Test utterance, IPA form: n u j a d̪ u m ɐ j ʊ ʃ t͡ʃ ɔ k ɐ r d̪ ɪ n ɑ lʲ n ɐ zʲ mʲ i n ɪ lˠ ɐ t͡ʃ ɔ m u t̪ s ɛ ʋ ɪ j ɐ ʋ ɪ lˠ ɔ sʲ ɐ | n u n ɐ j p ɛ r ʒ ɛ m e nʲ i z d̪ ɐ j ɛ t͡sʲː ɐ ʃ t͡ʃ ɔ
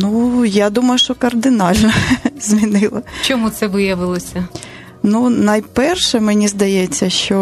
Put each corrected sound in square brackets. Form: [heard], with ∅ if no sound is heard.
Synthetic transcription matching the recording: n u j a d̪ u m ɐ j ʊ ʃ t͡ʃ ɔ k ɐ r d̪ ɪ n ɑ lʲ n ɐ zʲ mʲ i n ɪ lˠ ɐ t͡ʃ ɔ m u t̪ s ɛ ʋ ɪ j ɐ ʋ ɪ lˠ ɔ sʲ ɐ | n u n ɐ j p ɛ r [ʃ] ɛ m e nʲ i z d̪ ɐ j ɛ t͡sʲː ɐ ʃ t͡ʃ ɔ